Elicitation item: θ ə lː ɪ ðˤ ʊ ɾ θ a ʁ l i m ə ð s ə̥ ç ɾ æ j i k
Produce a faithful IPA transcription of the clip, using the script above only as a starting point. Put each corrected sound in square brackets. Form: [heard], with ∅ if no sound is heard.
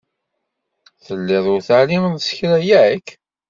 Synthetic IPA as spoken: θ ə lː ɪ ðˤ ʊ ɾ θ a [ʕ] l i m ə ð s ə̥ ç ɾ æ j [æ] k